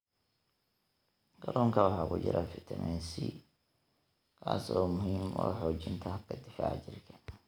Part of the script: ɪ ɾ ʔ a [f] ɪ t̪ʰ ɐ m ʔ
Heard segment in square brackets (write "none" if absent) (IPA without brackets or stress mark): f